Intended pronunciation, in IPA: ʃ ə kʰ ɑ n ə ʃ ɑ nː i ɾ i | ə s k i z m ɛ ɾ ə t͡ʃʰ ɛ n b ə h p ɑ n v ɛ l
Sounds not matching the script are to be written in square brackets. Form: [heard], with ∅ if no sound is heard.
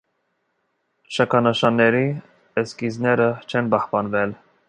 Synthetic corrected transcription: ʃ [ɑ] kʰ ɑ n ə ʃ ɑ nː [ɛ] ɾ i | ə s k i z [n] ɛ ɾ ə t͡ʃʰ ɛ n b [ɑ] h p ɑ n v ɛ l